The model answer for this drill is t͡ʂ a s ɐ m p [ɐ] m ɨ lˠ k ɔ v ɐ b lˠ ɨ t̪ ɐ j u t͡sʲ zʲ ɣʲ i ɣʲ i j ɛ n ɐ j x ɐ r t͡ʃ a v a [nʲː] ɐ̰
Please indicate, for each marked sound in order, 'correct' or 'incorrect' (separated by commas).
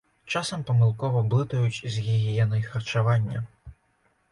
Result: correct, correct